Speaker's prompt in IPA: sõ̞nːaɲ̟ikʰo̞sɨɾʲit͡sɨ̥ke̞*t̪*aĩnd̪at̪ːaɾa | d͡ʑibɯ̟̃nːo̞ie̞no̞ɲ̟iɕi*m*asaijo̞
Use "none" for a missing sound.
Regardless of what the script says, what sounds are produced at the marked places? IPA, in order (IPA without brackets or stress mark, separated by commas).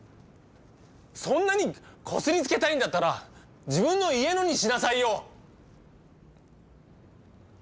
t̪, n